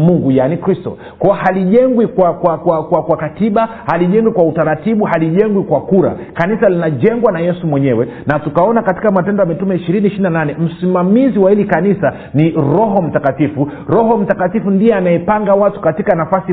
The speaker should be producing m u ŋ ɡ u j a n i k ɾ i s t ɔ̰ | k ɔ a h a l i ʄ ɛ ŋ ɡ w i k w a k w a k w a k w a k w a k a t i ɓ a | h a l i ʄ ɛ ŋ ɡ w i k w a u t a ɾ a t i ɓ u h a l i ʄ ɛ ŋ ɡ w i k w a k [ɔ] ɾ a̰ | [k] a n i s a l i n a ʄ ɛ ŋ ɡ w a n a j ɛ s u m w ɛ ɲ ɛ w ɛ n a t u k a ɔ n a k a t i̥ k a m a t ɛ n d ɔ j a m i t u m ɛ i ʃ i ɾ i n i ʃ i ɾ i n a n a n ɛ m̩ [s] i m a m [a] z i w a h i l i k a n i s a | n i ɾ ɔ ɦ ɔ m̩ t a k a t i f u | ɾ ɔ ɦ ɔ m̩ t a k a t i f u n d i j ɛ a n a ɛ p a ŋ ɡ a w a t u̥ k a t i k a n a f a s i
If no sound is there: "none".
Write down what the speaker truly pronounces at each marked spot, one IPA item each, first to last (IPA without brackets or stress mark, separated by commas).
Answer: u, k, s, i